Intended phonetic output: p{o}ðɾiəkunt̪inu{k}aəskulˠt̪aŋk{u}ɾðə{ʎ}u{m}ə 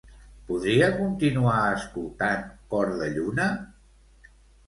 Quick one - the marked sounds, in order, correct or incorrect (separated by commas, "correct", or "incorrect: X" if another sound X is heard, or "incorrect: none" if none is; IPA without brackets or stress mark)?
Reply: incorrect: u, incorrect: none, incorrect: ɔ, correct, incorrect: n